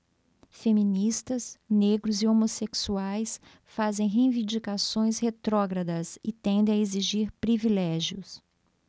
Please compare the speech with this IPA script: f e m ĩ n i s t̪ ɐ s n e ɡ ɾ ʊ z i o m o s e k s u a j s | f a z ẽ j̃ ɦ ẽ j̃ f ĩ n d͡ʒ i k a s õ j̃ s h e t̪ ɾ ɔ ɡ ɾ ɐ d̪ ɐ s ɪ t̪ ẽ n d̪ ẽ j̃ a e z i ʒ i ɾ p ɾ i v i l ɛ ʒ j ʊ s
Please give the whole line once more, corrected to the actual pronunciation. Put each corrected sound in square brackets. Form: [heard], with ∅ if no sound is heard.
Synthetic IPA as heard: f e m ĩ n i s t̪ ɐ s n e ɡ ɾ ʊ z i o m o s e k s u a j s | f a z ẽ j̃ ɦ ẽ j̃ [v] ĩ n d͡ʒ i k a s õ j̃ s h e t̪ ɾ ɔ ɡ ɾ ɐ d̪ ɐ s ɪ t̪ ẽ n d̪ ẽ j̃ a e z i ʒ i ɾ p ɾ i v i l ɛ ʒ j ʊ s